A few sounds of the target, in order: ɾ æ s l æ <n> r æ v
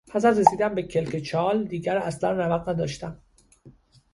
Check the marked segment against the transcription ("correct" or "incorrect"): correct